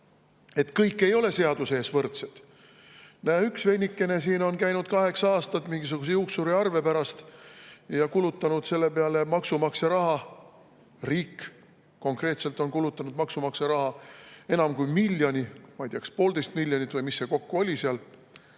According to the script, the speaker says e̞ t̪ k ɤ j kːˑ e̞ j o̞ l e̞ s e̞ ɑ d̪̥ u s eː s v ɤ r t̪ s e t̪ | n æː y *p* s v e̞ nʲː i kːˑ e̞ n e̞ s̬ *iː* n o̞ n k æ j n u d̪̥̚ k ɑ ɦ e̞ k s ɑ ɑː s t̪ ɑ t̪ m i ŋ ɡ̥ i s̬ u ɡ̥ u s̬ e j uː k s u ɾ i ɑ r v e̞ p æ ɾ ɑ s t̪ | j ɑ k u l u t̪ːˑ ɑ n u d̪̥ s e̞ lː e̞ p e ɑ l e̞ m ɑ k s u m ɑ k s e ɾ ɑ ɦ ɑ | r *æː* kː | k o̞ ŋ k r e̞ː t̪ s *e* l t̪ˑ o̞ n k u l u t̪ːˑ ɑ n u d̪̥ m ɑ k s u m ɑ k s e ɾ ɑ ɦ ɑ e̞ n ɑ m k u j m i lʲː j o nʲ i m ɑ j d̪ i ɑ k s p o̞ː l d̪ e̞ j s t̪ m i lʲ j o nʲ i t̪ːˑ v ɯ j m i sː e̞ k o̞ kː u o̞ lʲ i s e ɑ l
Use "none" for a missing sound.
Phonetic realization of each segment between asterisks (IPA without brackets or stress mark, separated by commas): k, iː, iː, e